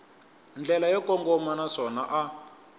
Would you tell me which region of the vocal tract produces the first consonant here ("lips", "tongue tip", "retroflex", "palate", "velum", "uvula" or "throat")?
tongue tip